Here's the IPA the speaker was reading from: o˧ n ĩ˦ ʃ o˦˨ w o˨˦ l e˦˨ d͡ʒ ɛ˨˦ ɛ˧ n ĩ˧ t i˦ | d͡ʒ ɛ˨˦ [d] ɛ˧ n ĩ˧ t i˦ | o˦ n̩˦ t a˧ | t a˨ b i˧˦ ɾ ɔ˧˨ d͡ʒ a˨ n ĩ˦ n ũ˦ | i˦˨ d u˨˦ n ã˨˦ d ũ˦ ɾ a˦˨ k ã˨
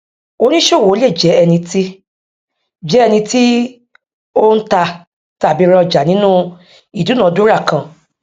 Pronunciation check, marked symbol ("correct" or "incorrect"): incorrect